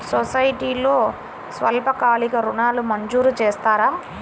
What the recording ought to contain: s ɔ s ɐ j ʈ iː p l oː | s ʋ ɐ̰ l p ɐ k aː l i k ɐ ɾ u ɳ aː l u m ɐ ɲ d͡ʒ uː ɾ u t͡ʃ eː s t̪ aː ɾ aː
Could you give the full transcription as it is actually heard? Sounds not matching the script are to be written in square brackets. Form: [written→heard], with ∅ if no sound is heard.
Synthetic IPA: s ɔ s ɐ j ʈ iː [p→∅] l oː | s ʋ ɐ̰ l p ɐ k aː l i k ɐ ɾ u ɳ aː l u m ɐ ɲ d͡ʒ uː ɾ u t͡ʃ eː s t̪ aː ɾ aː